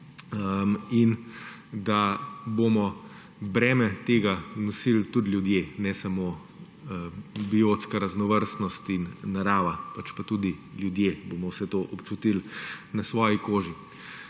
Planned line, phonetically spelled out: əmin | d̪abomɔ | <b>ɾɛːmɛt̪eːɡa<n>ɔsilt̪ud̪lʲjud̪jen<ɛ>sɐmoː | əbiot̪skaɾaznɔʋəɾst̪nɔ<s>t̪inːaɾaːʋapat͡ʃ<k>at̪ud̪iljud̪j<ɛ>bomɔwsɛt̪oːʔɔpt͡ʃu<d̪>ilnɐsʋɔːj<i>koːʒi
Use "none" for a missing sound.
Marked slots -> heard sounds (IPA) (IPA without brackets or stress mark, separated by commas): b, n, ɛ, s, p, e, t̪, i